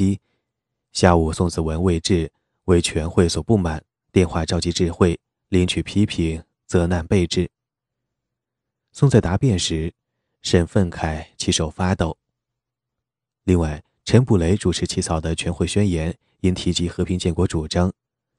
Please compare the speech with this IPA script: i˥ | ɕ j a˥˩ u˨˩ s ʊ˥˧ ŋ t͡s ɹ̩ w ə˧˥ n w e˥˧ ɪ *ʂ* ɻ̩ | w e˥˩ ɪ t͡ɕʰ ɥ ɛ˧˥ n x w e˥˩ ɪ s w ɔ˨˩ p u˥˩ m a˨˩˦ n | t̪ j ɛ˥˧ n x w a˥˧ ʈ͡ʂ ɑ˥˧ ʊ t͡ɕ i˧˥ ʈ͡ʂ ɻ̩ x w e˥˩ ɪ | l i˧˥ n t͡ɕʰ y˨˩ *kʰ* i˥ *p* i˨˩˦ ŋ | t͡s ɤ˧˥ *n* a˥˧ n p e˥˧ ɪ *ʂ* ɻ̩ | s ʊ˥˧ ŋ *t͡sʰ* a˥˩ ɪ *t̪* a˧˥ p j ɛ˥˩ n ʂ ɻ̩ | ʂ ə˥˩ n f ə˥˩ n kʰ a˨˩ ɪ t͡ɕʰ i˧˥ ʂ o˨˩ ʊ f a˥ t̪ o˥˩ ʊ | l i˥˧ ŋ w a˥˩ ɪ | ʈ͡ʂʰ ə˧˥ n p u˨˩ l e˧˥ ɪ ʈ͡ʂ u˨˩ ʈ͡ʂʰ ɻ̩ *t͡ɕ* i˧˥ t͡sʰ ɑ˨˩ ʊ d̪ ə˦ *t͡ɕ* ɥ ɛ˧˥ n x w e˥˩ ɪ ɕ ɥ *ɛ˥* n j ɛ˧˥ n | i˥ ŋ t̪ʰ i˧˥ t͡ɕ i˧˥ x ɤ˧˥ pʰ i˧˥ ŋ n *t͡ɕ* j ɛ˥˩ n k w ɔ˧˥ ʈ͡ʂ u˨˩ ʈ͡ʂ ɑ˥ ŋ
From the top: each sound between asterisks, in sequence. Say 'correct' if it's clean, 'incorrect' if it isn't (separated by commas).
incorrect, incorrect, incorrect, correct, incorrect, incorrect, correct, incorrect, incorrect, correct, correct